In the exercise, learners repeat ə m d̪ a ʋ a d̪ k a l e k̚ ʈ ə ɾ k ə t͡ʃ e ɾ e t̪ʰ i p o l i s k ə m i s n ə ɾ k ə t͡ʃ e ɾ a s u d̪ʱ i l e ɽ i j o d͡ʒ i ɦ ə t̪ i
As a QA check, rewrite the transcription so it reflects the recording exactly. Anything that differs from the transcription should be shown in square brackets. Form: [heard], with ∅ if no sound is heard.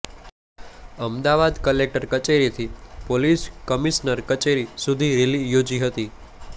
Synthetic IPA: ə m d̪ a ʋ a d̪ k [ə] l e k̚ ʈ ə ɾ k ə t͡ʃ e ɾ [i] t̪ʰ i p o l i s k ə m i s n ə ɾ k ə t͡ʃ e ɾ [i] s u d̪ʱ i [ɾ] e [l] i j o d͡ʒ i ɦ ə t̪ i